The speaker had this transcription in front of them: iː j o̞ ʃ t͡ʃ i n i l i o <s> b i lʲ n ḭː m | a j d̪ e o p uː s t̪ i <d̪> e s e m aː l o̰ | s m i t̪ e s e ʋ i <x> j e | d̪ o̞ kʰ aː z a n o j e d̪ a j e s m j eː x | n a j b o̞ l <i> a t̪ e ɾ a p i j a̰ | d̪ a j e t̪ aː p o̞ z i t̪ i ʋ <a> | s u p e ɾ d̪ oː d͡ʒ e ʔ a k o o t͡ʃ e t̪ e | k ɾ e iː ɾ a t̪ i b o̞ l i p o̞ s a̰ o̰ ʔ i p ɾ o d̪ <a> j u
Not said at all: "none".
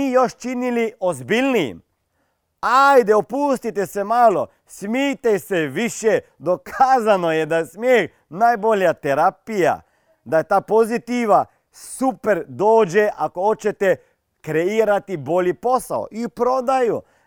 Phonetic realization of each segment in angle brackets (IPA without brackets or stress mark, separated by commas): z, t̪, ʃ, j, a, a